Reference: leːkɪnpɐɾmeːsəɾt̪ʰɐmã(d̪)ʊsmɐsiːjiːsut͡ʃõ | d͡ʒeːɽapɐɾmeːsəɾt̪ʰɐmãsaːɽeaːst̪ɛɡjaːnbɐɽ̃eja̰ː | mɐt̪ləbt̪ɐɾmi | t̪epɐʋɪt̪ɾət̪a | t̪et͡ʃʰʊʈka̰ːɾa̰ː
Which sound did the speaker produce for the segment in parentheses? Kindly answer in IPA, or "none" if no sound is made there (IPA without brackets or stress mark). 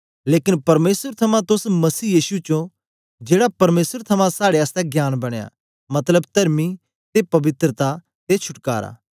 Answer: t̪